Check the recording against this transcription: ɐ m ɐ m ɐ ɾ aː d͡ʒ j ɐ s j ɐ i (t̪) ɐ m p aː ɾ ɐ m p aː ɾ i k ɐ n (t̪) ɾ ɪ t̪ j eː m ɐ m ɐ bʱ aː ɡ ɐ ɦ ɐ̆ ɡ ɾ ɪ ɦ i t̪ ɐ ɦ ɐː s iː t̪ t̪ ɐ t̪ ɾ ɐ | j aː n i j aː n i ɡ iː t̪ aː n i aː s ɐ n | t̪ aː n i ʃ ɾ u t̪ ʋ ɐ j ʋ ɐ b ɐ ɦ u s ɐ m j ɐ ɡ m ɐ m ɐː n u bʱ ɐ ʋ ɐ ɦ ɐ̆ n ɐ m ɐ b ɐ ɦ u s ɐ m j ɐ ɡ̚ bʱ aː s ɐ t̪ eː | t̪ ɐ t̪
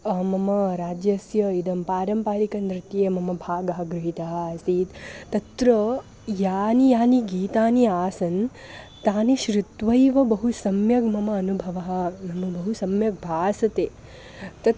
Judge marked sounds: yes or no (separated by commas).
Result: no, no